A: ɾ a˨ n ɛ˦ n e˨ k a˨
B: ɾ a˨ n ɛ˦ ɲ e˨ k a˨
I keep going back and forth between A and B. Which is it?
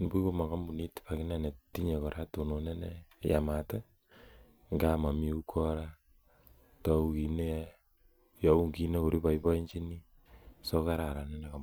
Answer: A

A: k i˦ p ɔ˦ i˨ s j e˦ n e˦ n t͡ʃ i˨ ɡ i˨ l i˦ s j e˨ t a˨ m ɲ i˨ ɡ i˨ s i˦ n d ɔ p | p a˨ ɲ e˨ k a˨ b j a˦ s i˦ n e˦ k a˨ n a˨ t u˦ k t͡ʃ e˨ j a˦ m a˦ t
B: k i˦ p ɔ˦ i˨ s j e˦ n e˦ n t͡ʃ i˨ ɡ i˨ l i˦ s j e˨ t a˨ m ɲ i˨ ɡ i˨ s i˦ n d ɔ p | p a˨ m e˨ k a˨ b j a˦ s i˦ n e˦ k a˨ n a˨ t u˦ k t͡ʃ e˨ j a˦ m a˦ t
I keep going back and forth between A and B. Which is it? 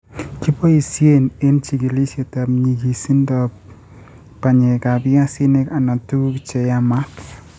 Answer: A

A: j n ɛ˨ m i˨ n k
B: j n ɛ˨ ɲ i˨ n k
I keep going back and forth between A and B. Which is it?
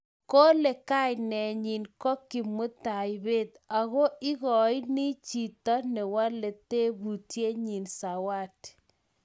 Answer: B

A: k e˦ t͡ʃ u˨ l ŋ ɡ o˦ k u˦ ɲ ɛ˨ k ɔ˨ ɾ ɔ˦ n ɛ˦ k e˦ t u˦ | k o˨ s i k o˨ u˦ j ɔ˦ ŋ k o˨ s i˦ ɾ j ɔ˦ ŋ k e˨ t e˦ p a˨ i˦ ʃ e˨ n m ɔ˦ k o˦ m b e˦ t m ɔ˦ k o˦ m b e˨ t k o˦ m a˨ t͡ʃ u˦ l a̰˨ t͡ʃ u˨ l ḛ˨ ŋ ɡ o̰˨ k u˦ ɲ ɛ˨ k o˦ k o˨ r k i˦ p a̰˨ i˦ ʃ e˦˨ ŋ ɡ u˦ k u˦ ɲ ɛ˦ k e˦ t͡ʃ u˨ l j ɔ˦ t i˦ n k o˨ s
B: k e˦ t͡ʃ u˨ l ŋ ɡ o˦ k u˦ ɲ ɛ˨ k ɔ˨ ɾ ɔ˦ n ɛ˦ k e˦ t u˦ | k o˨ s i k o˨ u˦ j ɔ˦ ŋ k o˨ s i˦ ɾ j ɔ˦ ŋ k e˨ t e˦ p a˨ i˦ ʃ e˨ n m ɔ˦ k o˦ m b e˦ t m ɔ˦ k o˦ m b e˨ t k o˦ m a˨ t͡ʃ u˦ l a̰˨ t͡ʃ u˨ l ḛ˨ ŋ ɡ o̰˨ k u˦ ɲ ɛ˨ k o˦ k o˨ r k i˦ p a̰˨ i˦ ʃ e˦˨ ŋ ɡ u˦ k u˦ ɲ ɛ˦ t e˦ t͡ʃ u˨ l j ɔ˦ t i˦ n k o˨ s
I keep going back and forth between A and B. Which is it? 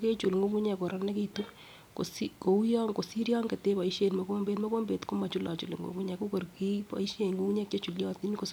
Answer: A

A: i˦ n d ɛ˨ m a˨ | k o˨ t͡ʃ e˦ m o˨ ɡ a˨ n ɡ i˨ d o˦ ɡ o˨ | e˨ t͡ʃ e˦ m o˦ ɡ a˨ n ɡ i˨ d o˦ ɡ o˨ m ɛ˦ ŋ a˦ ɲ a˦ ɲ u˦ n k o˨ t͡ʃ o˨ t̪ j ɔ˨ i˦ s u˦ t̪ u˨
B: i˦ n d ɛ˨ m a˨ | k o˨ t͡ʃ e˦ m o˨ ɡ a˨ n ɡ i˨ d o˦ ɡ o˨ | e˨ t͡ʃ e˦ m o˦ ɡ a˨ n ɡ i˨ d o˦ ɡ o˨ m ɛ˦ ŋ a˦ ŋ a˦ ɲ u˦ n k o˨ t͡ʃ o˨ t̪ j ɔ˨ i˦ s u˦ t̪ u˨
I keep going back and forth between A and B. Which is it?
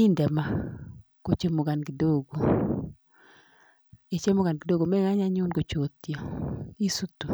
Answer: A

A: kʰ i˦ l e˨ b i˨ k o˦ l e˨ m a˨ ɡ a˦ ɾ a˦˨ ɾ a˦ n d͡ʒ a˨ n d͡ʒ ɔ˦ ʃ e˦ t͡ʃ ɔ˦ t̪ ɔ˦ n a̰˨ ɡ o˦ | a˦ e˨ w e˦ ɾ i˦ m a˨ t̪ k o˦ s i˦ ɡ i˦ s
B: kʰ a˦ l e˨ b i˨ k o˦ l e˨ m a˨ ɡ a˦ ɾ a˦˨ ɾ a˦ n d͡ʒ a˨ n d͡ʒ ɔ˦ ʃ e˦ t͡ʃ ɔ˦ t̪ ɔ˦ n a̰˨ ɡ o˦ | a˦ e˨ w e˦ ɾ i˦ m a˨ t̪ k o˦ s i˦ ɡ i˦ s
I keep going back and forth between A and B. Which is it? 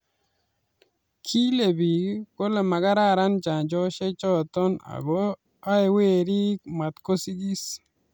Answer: A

